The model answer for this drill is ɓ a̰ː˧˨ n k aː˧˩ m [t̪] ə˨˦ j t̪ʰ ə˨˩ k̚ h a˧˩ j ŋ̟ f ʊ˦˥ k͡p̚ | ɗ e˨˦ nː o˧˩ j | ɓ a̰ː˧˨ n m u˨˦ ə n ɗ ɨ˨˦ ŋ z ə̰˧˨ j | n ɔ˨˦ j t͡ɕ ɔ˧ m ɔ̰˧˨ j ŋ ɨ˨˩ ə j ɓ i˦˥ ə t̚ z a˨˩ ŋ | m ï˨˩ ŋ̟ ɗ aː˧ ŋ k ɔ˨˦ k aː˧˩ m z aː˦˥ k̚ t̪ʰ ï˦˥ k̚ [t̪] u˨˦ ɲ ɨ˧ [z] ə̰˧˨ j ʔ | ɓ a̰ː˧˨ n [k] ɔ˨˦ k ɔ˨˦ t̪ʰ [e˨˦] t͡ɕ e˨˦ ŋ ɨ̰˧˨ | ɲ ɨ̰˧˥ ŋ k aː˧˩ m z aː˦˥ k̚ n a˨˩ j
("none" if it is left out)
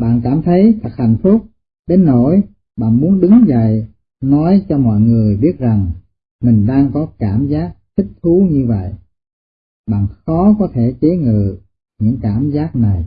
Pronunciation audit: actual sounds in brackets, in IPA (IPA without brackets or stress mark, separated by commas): t̪ʰ, t̪ʰ, v, x, e˧˩